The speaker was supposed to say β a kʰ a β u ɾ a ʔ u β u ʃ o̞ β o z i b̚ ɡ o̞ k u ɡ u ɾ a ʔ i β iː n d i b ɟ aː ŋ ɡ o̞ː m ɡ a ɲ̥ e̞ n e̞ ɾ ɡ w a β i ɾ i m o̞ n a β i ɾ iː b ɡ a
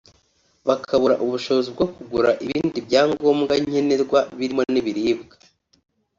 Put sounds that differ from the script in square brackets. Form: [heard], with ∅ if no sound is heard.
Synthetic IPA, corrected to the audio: β a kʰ a β u ɾ a ʔ u β u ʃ o̞ β o z i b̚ ɡ o̞ k u ɡ u ɾ a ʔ i β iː n d i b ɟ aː ŋ ɡ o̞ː m ɡ a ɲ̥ e̞ n e̞ ɾ ɡ w a β i ɾ i m o̞ n [i] β i ɾ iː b ɡ a